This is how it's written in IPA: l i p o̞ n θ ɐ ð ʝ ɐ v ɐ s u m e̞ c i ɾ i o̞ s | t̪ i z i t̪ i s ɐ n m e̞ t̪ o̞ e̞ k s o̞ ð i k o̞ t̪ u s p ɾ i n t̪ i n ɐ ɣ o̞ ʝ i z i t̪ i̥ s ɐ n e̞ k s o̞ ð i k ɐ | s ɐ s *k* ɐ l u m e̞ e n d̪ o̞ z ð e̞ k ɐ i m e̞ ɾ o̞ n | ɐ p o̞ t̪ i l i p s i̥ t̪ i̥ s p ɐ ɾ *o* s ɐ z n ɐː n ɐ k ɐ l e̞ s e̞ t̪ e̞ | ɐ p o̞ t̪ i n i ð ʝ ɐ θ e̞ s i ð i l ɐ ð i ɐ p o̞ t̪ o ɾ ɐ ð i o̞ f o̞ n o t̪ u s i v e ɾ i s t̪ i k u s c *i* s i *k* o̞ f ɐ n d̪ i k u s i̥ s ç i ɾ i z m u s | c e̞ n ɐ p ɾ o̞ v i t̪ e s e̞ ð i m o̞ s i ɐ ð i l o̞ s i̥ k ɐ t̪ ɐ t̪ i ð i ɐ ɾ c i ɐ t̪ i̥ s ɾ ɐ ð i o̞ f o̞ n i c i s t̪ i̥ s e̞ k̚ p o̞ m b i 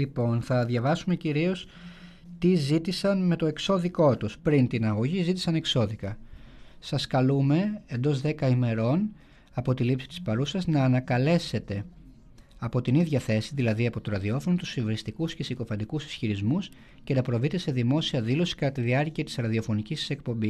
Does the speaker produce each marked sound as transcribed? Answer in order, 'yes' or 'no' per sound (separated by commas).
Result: yes, no, no, yes